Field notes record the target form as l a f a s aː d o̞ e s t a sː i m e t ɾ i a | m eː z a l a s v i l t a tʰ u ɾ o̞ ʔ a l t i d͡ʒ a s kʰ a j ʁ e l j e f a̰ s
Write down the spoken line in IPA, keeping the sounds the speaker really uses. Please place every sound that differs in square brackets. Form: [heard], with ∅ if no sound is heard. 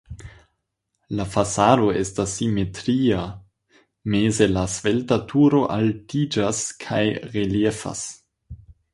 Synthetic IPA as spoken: l a f a s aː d o̞ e s t a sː i m e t ɾ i a | m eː z [e] l a s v [e] l t a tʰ u ɾ o̞ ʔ a l t i d͡ʒ a s kʰ a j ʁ e l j e f a̰ s